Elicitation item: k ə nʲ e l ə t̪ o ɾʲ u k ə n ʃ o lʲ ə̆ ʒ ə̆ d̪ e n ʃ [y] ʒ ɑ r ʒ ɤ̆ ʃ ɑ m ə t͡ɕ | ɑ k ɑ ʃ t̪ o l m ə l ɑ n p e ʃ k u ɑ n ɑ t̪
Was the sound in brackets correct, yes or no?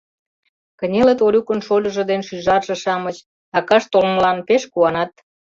yes